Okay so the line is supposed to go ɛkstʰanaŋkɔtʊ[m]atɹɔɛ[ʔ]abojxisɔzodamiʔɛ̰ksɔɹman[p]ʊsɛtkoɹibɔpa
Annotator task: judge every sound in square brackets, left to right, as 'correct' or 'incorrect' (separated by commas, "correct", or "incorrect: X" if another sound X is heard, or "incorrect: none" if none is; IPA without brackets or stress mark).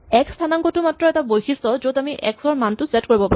correct, incorrect: t, incorrect: t